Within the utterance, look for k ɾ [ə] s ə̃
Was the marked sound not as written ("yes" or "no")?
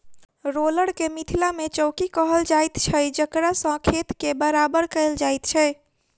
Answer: yes